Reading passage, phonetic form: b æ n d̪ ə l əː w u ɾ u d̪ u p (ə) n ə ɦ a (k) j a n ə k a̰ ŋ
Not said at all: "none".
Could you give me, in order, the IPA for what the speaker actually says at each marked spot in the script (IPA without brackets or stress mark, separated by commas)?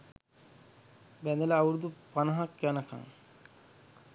a, k